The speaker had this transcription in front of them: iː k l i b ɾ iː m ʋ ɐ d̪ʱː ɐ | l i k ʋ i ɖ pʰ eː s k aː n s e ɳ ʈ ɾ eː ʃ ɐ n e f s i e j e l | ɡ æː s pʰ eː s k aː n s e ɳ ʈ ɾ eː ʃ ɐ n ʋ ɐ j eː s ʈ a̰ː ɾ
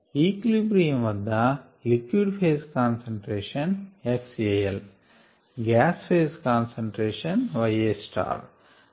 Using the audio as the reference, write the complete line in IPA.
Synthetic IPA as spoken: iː k l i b ɾ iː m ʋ ɐ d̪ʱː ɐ | l i k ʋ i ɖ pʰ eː s k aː n s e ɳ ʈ ɾ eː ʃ ɐ n e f s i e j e l | ɡ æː s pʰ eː s k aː n s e ɳ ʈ ɾ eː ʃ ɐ n ʋ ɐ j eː s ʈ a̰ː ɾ